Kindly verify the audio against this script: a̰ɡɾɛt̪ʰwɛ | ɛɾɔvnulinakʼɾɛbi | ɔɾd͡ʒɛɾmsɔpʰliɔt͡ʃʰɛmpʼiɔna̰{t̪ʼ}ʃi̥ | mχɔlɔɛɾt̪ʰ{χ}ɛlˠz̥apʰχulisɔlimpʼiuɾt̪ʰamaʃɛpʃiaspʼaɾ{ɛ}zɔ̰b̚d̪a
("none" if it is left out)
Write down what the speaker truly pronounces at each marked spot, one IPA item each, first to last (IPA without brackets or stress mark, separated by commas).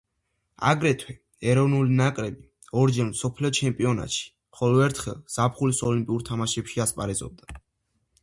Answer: t̪, χ, ɛ